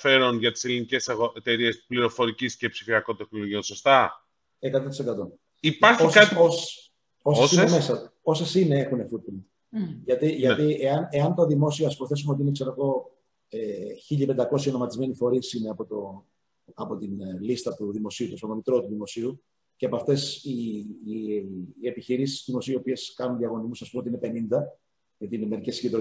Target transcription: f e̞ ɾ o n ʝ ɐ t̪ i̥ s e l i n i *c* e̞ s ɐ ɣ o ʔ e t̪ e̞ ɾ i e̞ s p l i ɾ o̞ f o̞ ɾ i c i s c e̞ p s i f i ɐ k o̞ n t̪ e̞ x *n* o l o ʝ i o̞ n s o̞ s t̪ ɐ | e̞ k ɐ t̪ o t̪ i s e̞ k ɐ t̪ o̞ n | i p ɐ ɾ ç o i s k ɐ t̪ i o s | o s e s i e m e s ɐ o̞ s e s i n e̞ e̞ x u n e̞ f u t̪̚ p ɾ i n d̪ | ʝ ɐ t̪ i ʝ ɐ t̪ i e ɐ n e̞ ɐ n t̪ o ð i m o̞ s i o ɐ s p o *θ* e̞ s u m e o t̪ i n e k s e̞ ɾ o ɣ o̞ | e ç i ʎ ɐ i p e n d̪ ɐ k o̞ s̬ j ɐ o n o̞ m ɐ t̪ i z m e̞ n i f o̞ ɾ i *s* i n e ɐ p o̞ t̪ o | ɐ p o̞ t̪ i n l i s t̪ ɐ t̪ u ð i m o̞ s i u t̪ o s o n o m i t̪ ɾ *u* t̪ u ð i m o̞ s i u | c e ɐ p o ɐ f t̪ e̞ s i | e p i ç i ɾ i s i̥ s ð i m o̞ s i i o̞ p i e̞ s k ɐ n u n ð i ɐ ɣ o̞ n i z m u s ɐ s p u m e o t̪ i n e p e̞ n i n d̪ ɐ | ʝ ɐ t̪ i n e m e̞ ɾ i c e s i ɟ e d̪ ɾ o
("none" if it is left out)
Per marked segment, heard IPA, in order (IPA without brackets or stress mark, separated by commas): c, n, θ, s, o